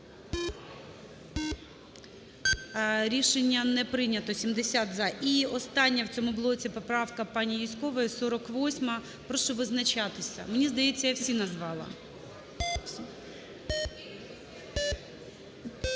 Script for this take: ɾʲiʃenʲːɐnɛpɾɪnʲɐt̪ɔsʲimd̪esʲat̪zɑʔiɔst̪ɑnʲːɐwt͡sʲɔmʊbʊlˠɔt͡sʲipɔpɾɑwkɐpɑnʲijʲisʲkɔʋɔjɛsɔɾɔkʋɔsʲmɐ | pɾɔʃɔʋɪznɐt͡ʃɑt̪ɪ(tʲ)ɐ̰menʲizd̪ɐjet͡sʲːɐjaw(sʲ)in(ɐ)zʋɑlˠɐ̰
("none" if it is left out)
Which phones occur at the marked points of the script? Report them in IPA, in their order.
sʲ, sʲ, ɐ

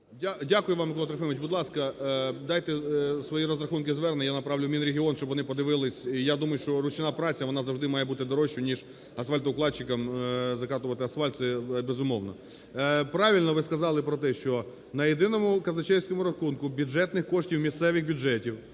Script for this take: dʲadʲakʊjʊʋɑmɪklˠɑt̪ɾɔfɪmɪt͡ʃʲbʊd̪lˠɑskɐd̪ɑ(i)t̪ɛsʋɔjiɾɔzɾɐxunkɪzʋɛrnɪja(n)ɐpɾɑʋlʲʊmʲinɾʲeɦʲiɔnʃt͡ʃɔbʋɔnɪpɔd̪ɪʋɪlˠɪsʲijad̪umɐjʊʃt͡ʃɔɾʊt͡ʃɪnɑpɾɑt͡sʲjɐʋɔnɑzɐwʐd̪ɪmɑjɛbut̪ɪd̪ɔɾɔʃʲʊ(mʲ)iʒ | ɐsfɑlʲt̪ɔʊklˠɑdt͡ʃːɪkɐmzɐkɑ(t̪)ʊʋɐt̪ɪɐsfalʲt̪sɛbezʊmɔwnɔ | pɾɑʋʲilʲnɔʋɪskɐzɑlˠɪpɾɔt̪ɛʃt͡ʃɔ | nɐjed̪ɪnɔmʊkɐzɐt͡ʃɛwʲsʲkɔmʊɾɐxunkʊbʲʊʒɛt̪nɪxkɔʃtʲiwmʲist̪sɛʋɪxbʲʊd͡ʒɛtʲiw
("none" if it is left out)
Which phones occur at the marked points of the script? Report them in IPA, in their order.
j, n, nʲ, t̪

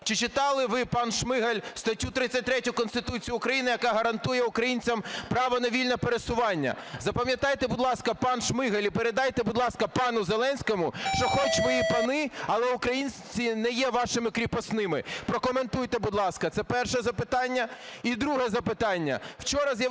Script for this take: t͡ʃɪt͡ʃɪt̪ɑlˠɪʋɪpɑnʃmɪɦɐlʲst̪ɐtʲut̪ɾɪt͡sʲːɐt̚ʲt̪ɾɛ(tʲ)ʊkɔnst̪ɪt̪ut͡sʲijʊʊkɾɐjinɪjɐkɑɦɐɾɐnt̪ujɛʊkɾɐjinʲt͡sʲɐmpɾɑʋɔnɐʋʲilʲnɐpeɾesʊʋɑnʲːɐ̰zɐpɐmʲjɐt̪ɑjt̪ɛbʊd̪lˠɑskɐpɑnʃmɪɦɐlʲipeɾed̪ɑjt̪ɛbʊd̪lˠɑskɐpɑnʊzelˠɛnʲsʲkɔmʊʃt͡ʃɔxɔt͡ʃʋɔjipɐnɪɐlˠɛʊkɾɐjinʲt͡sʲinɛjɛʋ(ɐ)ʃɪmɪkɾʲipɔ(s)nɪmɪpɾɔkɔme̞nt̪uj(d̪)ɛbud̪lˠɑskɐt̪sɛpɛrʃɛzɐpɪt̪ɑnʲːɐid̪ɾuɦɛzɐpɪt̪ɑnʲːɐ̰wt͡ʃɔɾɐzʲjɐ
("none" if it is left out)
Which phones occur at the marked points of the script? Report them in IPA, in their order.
tʲ, ɑ, s, t̪

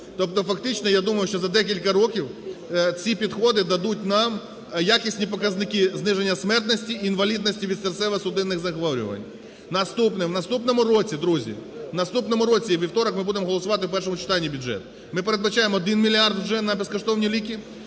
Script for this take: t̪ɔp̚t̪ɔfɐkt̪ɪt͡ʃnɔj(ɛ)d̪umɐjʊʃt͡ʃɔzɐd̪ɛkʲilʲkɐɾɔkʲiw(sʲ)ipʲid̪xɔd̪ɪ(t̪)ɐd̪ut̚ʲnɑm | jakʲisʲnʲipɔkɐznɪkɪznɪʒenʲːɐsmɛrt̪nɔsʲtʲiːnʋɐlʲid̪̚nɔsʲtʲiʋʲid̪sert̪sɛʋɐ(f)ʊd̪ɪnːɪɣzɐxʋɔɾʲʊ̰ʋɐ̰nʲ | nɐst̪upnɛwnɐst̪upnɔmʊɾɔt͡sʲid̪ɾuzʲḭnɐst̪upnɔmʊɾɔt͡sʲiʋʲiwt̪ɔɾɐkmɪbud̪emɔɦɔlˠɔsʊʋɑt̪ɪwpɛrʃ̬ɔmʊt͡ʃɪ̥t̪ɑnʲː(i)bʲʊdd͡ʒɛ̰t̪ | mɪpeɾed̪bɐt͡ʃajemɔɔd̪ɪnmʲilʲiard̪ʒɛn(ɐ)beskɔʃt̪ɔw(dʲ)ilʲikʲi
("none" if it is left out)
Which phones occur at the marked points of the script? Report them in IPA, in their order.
a, t͡sʲ, d̪, s, i, ɐ, nʲ

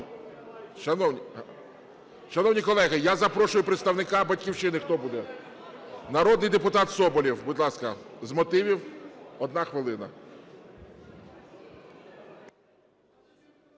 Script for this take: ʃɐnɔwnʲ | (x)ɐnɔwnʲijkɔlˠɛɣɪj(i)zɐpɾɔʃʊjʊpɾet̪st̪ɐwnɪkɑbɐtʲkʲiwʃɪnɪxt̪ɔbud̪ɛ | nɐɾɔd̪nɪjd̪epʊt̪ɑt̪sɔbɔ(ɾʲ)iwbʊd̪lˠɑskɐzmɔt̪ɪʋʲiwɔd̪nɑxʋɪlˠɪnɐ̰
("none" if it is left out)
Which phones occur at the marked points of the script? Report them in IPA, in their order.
ʃ, a, lʲ

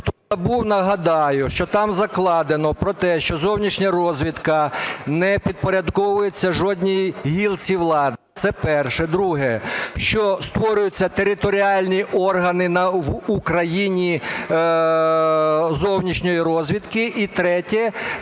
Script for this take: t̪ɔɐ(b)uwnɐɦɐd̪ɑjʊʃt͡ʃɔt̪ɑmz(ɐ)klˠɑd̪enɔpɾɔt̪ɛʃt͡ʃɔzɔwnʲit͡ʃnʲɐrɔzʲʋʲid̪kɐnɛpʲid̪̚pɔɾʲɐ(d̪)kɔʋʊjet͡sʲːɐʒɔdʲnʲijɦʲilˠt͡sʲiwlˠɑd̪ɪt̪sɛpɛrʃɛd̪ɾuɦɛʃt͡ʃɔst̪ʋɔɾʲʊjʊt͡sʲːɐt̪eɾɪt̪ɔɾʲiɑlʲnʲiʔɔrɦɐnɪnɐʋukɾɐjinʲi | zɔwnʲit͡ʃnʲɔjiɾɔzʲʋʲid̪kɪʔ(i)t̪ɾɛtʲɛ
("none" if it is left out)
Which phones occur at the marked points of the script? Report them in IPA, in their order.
b, ɐ, d̪, i

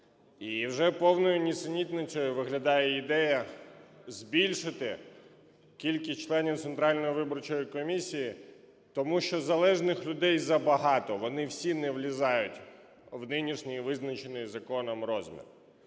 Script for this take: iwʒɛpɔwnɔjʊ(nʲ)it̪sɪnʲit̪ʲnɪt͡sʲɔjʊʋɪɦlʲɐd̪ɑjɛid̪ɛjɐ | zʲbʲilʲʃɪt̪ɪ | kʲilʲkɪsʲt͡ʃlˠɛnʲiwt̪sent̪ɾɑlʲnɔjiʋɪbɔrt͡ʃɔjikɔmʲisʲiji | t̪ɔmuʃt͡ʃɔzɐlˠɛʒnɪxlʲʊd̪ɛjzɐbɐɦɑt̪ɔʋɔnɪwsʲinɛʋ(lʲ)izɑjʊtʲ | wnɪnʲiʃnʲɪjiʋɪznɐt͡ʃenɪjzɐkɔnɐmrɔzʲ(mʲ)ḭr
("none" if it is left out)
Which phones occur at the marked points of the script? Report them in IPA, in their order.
nʲ, lʲ, mʲ

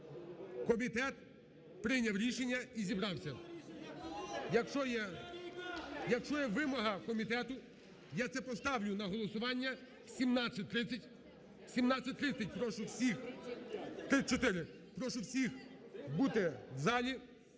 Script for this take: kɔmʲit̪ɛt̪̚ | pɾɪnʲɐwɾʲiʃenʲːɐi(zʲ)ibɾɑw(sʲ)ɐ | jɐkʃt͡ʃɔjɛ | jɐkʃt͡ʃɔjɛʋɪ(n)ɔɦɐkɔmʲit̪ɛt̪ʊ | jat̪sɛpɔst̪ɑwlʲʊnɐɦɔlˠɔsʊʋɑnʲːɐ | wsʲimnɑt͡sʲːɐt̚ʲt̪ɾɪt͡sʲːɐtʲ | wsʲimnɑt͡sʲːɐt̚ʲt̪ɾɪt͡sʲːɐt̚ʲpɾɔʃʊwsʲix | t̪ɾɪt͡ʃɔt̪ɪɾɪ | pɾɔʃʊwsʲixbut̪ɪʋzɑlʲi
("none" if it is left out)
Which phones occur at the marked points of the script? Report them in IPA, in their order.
zʲ, sʲ, m

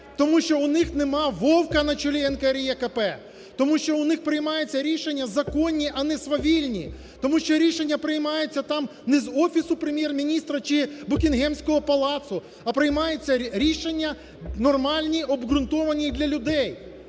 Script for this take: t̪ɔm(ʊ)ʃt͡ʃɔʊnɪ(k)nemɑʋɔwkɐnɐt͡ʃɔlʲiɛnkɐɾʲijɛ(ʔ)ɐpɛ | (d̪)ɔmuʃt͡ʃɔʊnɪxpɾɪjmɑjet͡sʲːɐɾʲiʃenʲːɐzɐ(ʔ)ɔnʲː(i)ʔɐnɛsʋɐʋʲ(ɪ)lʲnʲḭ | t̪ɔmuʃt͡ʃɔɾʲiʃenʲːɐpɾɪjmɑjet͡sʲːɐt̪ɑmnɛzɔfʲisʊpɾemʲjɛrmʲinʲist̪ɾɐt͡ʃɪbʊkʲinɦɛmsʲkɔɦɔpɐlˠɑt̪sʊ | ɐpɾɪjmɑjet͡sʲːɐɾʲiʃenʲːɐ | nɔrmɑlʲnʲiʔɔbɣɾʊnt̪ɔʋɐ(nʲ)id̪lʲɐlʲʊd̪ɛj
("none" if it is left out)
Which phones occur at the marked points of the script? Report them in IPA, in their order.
u, x, k, t̪, k, i, i, nʲ

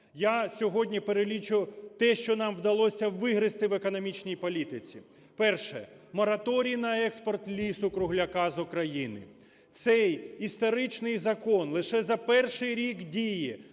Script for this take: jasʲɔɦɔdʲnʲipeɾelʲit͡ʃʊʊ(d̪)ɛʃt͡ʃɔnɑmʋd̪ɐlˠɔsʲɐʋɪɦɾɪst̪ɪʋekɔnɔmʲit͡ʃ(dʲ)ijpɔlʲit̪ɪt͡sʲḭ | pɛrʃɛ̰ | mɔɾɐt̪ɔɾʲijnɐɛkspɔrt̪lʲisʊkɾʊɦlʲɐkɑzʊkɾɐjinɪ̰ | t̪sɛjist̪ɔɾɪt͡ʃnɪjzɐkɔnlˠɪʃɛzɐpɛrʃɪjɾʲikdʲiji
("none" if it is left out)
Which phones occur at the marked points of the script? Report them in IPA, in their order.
t̪, nʲ

